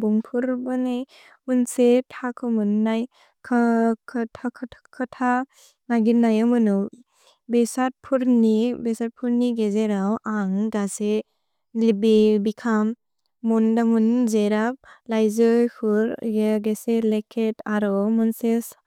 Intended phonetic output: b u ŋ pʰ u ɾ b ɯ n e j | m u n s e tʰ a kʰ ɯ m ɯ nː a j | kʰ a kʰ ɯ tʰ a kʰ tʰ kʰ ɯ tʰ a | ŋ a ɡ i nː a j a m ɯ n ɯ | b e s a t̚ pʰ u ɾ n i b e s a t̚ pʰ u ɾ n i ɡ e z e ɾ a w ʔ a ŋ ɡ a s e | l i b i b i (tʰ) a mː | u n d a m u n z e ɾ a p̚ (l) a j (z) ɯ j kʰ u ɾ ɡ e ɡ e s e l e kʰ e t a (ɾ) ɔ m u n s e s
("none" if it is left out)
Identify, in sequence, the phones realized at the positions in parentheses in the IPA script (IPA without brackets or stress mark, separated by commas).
kʰ, l, z, ɾ